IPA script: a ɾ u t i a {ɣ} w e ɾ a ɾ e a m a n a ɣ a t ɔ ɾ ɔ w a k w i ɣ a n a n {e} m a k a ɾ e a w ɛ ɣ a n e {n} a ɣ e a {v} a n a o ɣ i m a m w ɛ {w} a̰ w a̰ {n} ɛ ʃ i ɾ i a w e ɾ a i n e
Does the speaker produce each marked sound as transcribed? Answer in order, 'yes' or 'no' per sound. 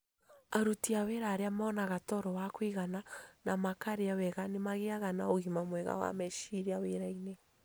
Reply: no, no, no, no, no, no

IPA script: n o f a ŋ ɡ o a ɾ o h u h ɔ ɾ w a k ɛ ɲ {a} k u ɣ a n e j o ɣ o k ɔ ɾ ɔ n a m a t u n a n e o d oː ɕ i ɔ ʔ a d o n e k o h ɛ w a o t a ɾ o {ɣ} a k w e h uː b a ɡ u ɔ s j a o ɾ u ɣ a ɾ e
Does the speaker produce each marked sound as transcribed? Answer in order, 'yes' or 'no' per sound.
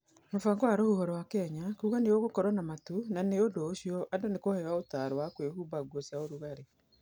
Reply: yes, no

